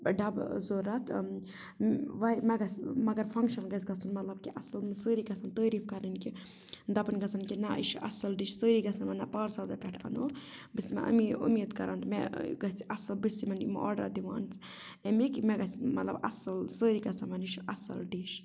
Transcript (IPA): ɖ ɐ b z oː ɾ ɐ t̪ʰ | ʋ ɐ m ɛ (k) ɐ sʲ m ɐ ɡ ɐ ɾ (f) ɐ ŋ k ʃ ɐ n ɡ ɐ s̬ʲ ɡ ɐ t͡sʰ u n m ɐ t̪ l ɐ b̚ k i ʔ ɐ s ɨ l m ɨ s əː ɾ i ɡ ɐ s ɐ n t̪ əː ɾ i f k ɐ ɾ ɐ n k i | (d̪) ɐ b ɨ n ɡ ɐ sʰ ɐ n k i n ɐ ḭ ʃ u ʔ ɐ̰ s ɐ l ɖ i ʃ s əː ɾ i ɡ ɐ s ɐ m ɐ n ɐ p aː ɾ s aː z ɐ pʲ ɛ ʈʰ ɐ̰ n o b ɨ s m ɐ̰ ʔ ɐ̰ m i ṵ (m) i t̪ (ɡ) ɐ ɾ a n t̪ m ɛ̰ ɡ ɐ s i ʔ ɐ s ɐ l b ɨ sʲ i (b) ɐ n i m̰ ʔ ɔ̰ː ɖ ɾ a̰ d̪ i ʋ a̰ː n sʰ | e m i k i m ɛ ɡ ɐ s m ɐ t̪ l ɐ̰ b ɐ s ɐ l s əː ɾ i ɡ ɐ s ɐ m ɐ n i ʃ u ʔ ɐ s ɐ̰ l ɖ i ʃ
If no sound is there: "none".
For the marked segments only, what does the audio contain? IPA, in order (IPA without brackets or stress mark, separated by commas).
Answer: ɡ, f, d̪, m, k, m